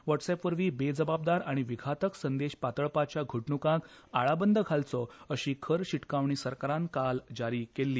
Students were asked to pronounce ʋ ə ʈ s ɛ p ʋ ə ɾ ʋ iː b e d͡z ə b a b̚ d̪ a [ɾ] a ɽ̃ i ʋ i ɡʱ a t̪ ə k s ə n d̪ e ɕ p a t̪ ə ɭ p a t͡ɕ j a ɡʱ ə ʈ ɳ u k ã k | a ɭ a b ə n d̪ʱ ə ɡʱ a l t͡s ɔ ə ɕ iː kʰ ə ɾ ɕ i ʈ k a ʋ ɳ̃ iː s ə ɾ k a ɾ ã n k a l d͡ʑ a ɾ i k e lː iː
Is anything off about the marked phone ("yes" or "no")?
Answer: no